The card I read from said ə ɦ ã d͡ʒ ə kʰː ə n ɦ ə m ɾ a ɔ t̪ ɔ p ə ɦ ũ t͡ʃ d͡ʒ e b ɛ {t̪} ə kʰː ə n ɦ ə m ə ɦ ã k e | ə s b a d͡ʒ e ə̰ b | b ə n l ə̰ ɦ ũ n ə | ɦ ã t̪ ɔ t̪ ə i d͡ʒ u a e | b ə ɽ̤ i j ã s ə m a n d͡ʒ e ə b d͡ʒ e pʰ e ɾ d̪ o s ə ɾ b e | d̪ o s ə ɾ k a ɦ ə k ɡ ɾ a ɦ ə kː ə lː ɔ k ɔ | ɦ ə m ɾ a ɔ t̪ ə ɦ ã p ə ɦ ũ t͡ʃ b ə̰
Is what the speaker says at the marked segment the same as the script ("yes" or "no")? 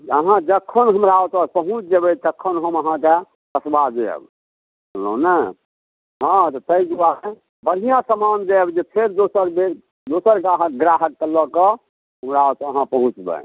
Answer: yes